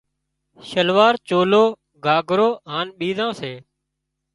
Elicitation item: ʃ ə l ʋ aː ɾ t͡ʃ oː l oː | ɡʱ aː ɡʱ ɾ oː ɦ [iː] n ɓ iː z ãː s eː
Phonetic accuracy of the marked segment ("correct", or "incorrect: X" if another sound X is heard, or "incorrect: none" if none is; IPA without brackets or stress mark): incorrect: aː